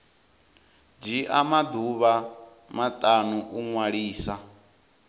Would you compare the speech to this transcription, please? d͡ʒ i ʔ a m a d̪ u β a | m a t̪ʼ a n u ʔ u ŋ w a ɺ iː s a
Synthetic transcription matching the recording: d͡ʒ i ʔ a m a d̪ u β a | m a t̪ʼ a n u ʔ u ŋ w a ɺ iː s a